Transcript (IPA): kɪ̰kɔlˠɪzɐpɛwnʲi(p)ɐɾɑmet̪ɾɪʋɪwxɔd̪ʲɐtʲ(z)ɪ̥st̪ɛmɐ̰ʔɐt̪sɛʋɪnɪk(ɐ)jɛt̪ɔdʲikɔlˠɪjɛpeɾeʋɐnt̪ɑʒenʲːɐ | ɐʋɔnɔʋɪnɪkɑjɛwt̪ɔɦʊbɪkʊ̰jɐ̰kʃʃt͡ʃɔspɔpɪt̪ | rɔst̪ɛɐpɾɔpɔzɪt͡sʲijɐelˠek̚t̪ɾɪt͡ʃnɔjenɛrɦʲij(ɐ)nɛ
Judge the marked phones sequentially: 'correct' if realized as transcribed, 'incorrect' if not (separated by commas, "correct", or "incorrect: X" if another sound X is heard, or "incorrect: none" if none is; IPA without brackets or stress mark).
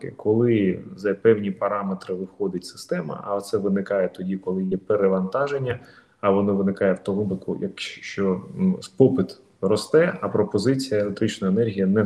correct, incorrect: s, incorrect: ɑ, correct